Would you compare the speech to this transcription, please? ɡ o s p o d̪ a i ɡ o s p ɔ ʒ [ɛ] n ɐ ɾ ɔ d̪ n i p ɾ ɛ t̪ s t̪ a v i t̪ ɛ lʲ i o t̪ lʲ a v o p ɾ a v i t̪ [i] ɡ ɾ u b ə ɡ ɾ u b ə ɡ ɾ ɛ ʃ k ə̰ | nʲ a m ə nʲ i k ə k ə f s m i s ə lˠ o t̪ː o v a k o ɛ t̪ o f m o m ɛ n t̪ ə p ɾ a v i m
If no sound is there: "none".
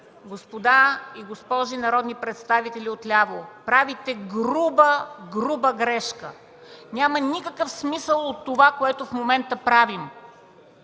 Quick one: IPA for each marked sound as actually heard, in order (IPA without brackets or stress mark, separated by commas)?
i, ɛ